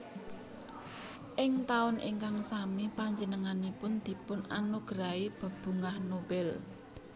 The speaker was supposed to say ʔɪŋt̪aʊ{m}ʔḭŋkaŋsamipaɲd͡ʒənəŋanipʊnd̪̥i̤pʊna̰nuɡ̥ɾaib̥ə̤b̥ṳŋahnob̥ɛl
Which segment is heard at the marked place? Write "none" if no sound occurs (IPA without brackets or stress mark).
n